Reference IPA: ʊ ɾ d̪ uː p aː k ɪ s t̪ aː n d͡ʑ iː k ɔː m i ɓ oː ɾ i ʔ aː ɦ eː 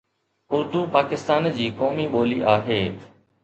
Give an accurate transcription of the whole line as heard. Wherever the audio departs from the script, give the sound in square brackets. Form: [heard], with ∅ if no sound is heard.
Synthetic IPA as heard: ʊ ɾ d̪ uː p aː k ɪ s t̪ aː n d͡ʑ iː k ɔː m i ɓ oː [l] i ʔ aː ɦ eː